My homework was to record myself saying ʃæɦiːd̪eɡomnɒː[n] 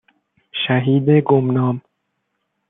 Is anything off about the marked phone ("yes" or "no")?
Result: yes